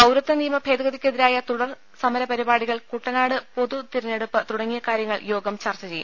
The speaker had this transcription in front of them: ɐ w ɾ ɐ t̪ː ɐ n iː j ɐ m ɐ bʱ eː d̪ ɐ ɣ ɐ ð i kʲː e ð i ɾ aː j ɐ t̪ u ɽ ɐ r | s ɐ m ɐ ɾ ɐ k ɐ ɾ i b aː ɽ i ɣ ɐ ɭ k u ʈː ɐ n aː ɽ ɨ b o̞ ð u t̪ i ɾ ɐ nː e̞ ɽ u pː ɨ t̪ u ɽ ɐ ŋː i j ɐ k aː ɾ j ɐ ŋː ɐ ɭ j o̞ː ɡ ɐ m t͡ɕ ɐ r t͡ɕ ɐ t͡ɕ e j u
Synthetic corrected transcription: ɐ w ɾ ɐ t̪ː ɐ n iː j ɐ m ɐ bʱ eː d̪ ɐ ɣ ɐ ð i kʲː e ð i ɾ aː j ɐ t̪ u ɽ ɐ r | s ɐ m ɐ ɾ ɐ p ɐ ɾ i b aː ɽ i ɣ ɐ ɭ k u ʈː ɐ n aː ɽ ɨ p o̞ ð u t̪ i ɾ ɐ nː e̞ ɽ u pː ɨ t̪ u ɽ ɐ ŋː i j ɐ k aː ɾ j ɐ ŋː ɐ ɭ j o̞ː ɡ ɐ m t͡ɕ ɐ r t͡ɕ ɐ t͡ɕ e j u

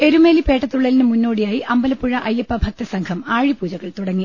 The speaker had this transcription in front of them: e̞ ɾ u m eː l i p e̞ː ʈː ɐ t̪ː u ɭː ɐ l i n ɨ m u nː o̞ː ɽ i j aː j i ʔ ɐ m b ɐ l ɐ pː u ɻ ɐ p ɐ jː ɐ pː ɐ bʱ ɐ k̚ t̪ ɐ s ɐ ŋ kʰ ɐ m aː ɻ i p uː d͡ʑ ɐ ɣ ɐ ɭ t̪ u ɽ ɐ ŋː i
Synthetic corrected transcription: e̞ ɾ u m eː l i p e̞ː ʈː ɐ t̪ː u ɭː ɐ l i n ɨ m u nː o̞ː ɽ i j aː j i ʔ ɐ m b ɐ l ɐ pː u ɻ ɐ ʔ ɐ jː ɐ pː ɐ bʱ ɐ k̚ t̪ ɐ s ɐ ŋ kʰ ɐ m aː ɻ i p uː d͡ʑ ɐ ɣ ɐ ɭ t̪ u ɽ ɐ ŋː i

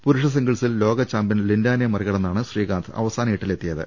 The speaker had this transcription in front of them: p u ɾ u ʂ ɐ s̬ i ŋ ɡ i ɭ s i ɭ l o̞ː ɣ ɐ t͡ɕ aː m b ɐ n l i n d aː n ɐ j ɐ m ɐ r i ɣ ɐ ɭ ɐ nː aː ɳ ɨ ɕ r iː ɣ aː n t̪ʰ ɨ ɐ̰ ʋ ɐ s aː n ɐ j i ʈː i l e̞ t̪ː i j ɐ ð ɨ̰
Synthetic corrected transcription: p u ɾ u ʂ ɐ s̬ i ŋ ɡ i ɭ s i l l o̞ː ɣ ɐ t͡ɕ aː m b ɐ n l i n d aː n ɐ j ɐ m ɐ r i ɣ ɐ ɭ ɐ nː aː ɳ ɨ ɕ r iː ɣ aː n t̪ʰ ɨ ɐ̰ ʋ ɐ s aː n ɐ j i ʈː i l e̞ t̪ː i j ɐ ð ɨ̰

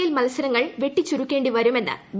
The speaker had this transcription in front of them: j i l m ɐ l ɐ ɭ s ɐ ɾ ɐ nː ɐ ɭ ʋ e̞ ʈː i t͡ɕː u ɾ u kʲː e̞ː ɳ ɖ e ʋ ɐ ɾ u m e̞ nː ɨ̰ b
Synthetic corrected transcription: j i l m ɐ l ɐ s ɐ ɾ ɐ ŋː ɐ ɭ ʋ e̞ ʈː i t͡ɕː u ɾ u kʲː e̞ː ɳ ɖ i ʋ ɐ ɾ u m e̞ nː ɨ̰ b

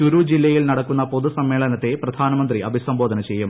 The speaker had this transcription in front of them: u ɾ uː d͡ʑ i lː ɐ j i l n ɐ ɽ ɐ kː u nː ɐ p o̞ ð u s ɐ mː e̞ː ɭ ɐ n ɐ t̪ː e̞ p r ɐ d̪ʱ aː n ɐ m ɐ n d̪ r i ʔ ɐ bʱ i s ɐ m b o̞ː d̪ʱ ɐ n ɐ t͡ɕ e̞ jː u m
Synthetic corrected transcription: u ɾ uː d͡ʑ i lː ɐ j i l n ɐ ɽ ɐ kː u nː ɐ p o̞ ð u s ɐ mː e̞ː ɭ ɐ n ɐ t̪ː e̞ p r ɐ d̪ʱ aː n ɐ m ɐ n d̪ r i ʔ ɐ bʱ i s ɐ m b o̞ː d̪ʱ ɐ n ɐ t͡ɕ e̞ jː u m

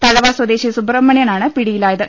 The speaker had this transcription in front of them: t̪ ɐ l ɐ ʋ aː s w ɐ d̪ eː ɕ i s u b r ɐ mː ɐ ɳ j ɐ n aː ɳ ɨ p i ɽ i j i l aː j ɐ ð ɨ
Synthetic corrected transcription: t̪ ɐ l ɐ ʋ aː s w ɐ d̪ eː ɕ i s u b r ɐ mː ɐ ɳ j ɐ n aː ɳ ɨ p i ɽ i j i l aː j ɐ ð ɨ

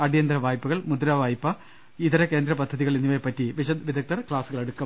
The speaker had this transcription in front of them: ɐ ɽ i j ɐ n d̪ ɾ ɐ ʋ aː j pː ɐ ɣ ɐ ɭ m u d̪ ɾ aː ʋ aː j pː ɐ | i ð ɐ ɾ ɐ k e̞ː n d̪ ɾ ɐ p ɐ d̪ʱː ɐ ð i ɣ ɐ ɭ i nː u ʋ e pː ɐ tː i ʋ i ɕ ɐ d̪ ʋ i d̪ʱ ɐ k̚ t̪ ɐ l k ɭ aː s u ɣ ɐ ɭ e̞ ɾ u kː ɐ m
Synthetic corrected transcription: ɐ ɽ i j ɐ n d̪ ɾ ɐ ʋ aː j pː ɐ ɣ ɐ ɭ m u d̪ ɾ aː ʋ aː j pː ɐ | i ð ɐ ɾ ɐ k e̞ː n d̪ ɾ ɐ p ɐ d̪ʱː ɐ ð i ɣ ɐ ɭ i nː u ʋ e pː ɐ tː i ʋ i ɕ ɐ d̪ ʋ i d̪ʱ ɐ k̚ t̪ ɐ r k ɭ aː s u ɣ ɐ ɭ e̞ ɽ u kː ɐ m

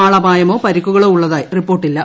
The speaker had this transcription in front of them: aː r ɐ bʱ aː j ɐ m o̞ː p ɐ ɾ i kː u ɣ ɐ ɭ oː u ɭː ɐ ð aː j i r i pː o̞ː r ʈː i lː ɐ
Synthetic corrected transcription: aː ɭ ɐ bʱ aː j ɐ m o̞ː p ɐ ɾ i kː u ɣ ɐ ɭ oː u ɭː ɐ ð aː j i r i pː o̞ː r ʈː i lː ɐ

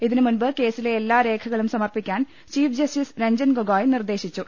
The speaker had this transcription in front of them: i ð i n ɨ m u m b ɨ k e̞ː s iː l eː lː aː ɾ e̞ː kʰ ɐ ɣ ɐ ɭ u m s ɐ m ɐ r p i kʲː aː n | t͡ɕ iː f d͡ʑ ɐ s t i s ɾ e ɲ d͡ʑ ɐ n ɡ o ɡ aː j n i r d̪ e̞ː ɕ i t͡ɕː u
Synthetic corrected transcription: i ð i n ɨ m u n b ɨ k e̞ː s i l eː lː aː ɾ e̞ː kʰ ɐ ɣ ɐ ɭ u m s ɐ m ɐ r p i kʲː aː n | t͡ɕ iː f d͡ʑ ɐ s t i s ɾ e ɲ d͡ʑ ɐ n ɡ o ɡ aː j n i r d̪ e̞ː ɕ i t͡ɕː u

